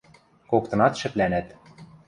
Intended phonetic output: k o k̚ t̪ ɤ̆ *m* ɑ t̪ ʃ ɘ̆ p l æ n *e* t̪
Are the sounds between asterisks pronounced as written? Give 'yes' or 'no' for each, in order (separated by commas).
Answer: no, no